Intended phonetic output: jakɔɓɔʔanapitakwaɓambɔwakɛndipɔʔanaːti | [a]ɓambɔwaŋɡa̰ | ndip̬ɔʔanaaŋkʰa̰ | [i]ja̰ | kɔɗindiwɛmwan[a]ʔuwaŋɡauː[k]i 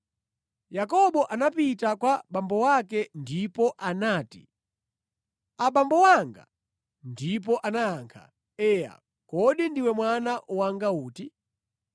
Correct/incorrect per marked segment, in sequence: correct, incorrect, correct, incorrect

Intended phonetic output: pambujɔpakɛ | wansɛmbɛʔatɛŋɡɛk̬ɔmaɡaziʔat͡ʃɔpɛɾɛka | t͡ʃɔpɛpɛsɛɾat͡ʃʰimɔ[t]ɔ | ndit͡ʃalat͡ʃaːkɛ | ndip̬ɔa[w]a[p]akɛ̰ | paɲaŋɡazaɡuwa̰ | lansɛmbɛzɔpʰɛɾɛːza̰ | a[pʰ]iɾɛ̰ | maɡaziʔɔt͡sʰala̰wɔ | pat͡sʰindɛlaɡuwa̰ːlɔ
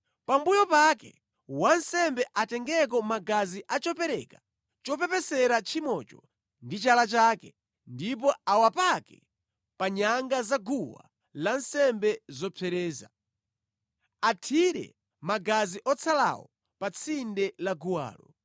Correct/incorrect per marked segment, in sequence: incorrect, correct, correct, incorrect

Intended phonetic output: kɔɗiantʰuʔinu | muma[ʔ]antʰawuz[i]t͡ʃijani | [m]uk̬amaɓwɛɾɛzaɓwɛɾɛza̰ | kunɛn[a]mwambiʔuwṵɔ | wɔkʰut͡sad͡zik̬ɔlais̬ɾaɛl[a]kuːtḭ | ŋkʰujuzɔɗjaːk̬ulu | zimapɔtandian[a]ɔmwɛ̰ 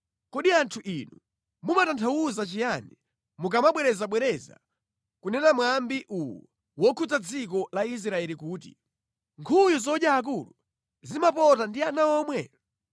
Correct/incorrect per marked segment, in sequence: incorrect, incorrect, correct, correct, incorrect, correct

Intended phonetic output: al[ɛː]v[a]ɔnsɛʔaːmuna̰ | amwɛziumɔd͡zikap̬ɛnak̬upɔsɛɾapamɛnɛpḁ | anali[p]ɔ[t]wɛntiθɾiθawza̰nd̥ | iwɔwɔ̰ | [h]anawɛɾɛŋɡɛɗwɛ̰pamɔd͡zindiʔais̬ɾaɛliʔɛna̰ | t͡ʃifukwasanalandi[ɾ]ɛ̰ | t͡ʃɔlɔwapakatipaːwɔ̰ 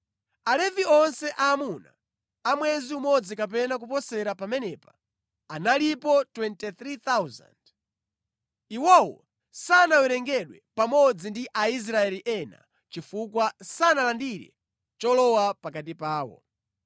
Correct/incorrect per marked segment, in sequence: incorrect, incorrect, correct, correct, incorrect, correct

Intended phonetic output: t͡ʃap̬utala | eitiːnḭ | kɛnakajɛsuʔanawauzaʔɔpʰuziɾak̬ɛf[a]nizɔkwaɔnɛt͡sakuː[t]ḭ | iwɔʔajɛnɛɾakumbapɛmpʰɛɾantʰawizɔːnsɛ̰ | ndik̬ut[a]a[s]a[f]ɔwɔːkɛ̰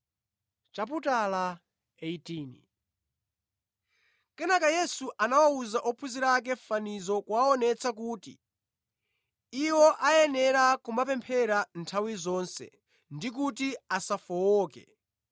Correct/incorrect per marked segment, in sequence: correct, correct, incorrect, correct, correct

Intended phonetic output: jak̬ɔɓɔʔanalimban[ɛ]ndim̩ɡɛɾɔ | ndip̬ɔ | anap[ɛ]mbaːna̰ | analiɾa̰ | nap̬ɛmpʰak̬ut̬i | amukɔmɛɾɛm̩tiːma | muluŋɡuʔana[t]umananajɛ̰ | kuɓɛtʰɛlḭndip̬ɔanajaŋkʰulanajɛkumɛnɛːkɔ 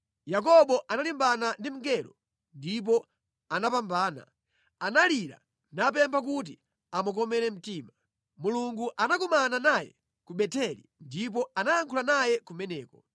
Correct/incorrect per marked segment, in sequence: incorrect, incorrect, incorrect

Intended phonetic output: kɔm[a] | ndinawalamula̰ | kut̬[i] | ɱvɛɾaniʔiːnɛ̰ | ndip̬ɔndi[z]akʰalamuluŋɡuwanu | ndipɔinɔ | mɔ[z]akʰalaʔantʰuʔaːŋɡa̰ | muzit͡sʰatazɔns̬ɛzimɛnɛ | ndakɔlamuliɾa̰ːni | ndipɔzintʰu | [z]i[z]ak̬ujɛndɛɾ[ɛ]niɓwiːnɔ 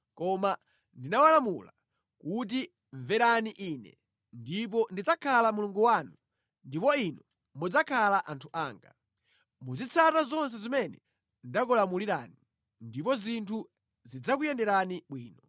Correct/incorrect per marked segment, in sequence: correct, correct, incorrect, incorrect, correct, incorrect, incorrect

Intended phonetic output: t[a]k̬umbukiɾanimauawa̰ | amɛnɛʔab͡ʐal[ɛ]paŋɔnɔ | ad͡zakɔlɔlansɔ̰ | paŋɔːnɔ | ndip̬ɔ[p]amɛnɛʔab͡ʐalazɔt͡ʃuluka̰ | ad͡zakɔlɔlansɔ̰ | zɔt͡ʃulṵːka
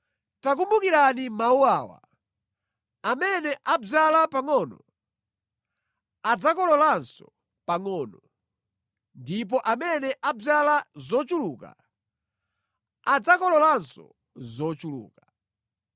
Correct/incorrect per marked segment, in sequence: correct, incorrect, incorrect

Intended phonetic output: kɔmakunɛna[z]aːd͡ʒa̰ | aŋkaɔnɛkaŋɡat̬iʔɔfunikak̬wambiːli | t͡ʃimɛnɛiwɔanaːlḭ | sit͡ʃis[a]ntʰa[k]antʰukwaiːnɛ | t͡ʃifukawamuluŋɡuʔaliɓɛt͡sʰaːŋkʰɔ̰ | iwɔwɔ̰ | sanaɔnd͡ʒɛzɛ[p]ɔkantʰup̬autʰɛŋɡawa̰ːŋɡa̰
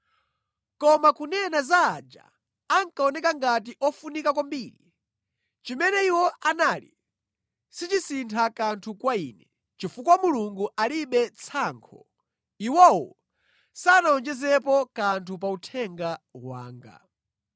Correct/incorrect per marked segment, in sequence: correct, incorrect, correct, correct

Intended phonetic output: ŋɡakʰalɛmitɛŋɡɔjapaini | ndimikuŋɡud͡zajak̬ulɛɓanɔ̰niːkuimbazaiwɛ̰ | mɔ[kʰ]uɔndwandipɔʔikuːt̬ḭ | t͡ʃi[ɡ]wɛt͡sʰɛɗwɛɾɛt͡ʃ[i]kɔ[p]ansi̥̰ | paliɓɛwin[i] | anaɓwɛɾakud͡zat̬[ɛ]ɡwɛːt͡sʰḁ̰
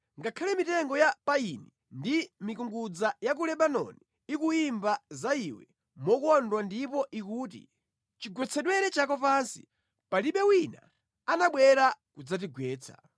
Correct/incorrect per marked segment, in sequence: incorrect, correct, incorrect, correct, incorrect, incorrect

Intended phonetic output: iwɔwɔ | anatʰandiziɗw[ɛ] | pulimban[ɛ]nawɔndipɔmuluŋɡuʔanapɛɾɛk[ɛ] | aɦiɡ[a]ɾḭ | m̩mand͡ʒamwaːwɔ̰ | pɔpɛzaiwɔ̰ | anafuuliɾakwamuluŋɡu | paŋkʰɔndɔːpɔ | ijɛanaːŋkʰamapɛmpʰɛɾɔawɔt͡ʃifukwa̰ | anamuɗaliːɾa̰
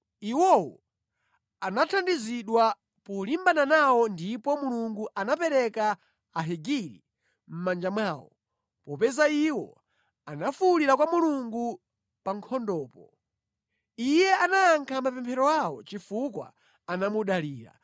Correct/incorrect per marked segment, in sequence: incorrect, incorrect, incorrect, incorrect

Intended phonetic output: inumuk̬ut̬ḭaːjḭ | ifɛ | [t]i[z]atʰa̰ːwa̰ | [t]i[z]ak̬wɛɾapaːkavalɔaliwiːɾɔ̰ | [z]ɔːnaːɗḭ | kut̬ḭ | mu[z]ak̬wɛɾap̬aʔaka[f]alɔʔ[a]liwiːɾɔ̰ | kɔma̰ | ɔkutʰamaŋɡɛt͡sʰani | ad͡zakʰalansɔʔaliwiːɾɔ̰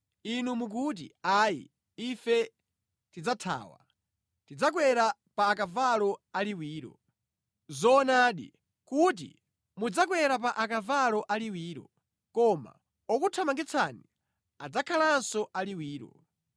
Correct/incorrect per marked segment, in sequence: correct, incorrect, correct, incorrect, correct, incorrect, incorrect, correct

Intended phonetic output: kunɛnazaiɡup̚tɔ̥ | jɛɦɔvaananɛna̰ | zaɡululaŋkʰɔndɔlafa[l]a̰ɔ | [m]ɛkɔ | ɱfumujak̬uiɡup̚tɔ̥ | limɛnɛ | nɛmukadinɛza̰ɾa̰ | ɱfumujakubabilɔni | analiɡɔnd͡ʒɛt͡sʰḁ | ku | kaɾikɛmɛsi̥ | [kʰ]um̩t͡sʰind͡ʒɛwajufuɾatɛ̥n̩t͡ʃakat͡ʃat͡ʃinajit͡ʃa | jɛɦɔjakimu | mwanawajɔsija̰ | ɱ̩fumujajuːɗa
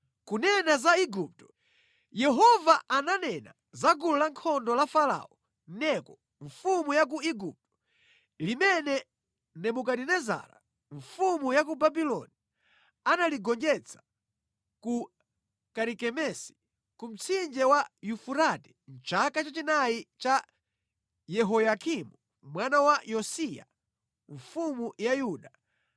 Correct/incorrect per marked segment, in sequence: correct, incorrect, incorrect

